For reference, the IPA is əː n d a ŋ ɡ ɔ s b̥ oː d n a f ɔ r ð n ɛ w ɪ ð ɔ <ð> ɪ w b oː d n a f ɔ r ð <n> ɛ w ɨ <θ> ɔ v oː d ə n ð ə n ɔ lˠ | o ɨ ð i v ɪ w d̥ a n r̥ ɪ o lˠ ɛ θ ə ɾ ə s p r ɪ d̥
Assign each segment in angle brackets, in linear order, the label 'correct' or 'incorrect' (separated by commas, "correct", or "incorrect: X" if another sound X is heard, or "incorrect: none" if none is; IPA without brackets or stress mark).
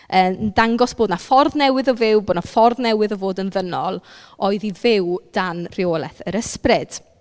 incorrect: v, correct, incorrect: ð